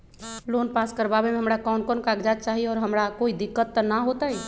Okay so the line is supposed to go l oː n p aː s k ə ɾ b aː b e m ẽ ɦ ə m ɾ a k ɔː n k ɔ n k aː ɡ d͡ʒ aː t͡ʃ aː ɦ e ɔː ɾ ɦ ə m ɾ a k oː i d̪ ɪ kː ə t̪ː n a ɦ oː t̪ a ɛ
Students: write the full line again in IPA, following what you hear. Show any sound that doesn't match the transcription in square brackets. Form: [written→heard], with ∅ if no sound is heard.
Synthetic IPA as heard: l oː n p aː s k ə ɾ b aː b e m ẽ ɦ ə m ɾ a k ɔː n k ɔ n k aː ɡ d͡ʒ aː t͡ʃ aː ɦ [e→i] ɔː ɾ ɦ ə m ɾ a k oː i d̪ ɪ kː ə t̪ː n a ɦ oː t̪ a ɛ

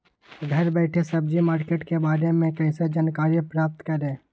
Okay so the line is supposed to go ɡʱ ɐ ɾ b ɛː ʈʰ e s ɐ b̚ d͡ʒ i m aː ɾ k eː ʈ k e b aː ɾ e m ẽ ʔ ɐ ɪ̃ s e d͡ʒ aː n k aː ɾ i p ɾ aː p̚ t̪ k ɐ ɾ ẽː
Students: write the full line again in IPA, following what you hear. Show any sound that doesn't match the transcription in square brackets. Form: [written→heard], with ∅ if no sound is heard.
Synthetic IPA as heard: ɡʱ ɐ ɾ b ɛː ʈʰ e s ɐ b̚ d͡ʒ i m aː ɾ k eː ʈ k e b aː ɾ e m ẽ [ʔ→k] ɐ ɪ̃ s e d͡ʒ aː n k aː ɾ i p ɾ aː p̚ t̪ k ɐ ɾ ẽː

